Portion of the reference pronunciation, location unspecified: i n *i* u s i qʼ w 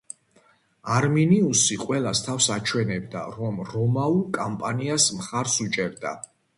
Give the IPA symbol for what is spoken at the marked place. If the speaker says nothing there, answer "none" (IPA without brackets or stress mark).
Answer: i